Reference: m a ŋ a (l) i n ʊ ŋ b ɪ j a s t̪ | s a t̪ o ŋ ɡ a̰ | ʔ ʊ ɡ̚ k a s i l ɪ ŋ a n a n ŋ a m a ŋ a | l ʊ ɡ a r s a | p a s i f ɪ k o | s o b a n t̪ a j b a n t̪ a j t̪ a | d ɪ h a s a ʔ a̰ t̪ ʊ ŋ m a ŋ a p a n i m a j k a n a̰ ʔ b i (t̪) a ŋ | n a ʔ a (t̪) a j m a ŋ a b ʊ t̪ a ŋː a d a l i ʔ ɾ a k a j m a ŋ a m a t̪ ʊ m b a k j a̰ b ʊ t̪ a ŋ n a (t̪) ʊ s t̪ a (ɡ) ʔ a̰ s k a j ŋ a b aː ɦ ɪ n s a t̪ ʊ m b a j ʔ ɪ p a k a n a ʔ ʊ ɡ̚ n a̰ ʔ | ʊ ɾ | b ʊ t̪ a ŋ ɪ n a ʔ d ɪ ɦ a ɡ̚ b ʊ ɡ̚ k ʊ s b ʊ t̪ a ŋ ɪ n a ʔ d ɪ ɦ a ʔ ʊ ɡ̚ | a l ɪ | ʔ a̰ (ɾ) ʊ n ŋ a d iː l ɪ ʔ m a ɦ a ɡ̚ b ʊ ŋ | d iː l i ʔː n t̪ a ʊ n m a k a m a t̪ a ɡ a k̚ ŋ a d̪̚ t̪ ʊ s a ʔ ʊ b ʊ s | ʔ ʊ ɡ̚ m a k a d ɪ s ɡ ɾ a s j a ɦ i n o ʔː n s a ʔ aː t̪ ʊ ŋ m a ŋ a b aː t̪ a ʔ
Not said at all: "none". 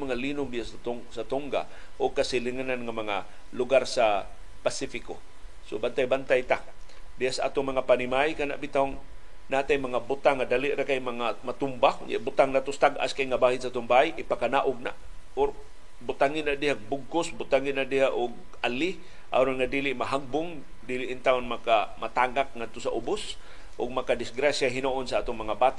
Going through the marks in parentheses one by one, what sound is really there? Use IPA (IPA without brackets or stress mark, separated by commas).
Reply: l, t̪, t̪, t̪, ɡ, ɾ